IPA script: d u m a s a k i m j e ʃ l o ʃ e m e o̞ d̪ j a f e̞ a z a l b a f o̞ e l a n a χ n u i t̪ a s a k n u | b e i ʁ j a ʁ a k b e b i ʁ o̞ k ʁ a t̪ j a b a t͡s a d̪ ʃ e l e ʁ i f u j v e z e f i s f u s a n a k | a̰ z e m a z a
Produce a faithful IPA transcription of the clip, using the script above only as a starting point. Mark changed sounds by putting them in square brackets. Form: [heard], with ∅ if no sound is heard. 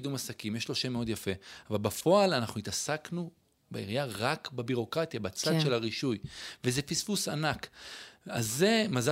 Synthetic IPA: d u m a s a k i m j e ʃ l o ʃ e m e o̞ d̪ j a f e̞ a [v] a l b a f o̞ [a] l a n a χ n u i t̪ a s a k n u | b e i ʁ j a ʁ a k b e b i ʁ o̞ k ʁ a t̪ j a b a t͡s a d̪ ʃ e l [a] ʁ i [ʃ] u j v e z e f i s f u s a n a k | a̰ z e m a z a